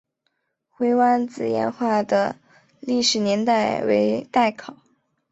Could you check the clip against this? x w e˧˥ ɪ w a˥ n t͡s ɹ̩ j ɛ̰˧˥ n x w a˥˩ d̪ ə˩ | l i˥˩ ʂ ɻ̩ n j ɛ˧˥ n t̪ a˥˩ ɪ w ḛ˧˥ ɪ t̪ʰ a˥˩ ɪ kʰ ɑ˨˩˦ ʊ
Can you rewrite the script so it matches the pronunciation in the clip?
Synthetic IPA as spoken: x w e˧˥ ɪ w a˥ n t͡s ɹ̩ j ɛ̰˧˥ n x w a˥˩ d̪ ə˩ | l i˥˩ ʂ ɻ̩ n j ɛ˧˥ n t̪ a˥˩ ɪ w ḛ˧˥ ɪ t̪ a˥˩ ɪ kʰ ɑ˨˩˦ ʊ